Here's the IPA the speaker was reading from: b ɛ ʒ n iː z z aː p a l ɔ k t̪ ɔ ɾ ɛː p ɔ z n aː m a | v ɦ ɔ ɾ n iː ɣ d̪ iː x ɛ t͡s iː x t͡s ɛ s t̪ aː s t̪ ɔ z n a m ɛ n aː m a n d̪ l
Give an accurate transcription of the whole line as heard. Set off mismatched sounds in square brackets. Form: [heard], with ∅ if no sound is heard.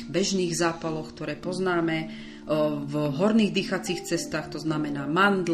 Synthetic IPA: b ɛ ʒ n iː [ɣ] z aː p a l ɔ k t̪ ɔ ɾ ɛː p ɔ z n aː m [ɛ] | v ɦ ɔ ɾ n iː ɣ d̪ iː x [a] t͡s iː x t͡s ɛ s t̪ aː [x] t̪ ɔ z n a m ɛ n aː m a n d̪ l